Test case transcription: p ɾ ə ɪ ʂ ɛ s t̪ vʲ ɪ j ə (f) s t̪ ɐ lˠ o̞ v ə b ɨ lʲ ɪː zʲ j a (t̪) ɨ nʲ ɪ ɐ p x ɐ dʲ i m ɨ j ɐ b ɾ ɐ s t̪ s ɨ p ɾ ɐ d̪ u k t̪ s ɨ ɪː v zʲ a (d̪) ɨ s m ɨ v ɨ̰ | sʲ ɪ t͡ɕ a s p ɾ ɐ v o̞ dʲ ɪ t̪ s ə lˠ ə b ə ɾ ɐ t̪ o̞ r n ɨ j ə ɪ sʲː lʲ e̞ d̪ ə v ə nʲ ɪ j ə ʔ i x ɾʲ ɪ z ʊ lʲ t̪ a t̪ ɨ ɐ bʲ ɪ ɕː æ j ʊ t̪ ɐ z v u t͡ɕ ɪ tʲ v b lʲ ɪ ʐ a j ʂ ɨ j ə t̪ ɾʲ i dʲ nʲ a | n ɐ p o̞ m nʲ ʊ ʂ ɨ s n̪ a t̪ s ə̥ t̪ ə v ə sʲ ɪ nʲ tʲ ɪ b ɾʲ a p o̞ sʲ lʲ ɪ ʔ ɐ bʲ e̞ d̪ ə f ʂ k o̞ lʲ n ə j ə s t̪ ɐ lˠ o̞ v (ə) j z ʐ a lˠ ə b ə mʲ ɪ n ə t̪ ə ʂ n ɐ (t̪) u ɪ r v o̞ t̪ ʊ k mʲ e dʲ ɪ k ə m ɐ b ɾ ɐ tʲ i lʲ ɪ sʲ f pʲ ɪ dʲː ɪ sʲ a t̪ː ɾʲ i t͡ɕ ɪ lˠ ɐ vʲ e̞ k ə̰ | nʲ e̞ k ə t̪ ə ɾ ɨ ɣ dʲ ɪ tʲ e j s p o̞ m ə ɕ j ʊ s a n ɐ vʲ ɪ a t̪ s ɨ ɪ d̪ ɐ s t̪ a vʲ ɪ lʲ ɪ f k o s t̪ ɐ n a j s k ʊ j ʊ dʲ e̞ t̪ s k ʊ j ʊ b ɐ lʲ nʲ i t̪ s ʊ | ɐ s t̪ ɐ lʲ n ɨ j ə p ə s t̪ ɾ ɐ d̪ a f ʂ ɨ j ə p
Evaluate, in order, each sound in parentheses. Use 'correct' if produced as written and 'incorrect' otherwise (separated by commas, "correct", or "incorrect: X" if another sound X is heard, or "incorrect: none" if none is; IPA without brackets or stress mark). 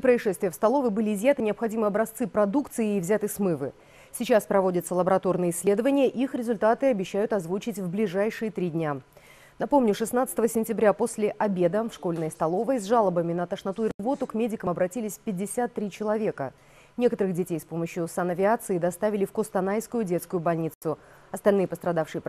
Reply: correct, correct, incorrect: t̪, correct, correct